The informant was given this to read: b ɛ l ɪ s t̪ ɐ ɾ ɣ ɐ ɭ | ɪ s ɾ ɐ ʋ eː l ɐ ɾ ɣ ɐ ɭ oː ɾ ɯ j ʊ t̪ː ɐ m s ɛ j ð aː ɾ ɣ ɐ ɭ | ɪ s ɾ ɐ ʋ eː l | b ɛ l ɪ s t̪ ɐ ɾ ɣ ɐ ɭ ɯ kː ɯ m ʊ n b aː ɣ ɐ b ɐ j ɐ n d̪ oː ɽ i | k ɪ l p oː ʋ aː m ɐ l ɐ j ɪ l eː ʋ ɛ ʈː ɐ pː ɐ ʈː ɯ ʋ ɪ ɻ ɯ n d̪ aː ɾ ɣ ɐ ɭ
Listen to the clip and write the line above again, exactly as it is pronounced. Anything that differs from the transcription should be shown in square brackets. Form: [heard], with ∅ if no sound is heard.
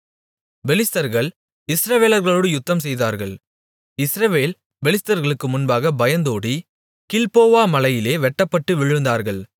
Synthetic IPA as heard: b ɛ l ɪ s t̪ ɐ ɾ ɣ ɐ ɭ | ɪ s ɾ ɐ ʋ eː l ɐ ɾ ɣ ɐ ɭ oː [ɽ] ɯ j ʊ t̪ː ɐ m s ɛ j ð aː ɾ ɣ ɐ ɭ | ɪ s ɾ ɐ ʋ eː l | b ɛ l ɪ s t̪ ɐ ɾ ɣ ɐ ɭ ɯ kː ɯ m ʊ n b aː ɣ ɐ b ɐ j ɐ n d̪ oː ɽ i | k ɪ l p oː ʋ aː m ɐ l ɐ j ɪ l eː ʋ ɛ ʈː ɐ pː ɐ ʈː ɯ ʋ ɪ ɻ ɯ n d̪ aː ɾ ɣ ɐ ɭ